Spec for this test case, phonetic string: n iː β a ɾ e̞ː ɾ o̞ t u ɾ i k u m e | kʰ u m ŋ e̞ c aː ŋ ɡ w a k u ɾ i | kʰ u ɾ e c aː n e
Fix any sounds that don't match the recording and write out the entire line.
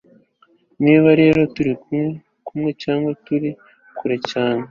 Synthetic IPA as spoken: n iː β a ɾ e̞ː ɾ o̞ t u ɾ i k u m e | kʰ u m ŋ e̞ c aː ŋ ɡ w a t u ɾ i | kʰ u ɾ e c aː n e